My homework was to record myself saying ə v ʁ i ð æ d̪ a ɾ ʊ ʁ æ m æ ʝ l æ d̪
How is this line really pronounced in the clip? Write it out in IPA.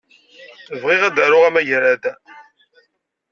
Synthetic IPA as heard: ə v ʁ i ʁ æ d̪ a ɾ ʊ ʁ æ m æ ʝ ɾ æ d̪